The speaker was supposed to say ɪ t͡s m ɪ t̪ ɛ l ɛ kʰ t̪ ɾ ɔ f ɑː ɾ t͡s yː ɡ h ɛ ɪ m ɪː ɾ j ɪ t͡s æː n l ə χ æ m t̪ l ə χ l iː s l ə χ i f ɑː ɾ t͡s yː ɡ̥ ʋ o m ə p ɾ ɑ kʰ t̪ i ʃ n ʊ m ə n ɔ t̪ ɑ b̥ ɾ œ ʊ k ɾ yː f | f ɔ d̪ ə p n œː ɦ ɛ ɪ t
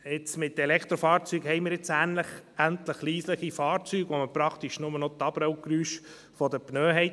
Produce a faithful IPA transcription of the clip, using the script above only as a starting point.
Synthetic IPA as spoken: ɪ t͡s m ɪ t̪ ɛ l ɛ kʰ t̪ ɾ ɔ f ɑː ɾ t͡s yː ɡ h ɛ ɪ m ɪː ɾ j ɪ t͡s æː n l ə χ æ n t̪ l ə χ l iː s l ə χ i f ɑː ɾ t͡s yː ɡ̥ ʋ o m ə p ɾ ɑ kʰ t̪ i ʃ n ʊ m ə n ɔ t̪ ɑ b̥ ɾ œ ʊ k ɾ yː ʃ | f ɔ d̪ ə p n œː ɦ ɛ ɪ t